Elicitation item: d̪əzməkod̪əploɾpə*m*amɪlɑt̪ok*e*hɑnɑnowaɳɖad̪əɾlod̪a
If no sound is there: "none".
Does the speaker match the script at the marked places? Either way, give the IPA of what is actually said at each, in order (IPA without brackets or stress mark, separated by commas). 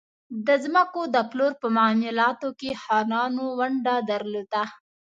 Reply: m, e